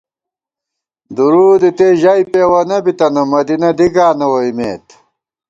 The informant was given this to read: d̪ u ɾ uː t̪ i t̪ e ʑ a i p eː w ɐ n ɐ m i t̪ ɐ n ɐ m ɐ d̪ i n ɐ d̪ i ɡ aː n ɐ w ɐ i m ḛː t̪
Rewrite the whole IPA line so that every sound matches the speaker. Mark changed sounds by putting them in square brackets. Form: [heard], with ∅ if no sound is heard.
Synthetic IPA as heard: d̪ u ɾ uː [d̪] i t̪ e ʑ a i p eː w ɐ n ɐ [b] i t̪ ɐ n ɐ m ɐ d̪ i n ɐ d̪ i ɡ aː n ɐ w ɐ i m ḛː t̪